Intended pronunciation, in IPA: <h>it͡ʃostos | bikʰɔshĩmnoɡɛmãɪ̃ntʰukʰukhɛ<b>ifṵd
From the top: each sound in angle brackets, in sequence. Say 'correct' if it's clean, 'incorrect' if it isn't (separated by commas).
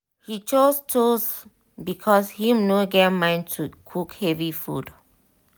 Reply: correct, incorrect